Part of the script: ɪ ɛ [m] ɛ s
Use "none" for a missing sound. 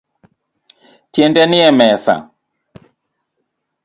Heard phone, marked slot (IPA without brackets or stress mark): m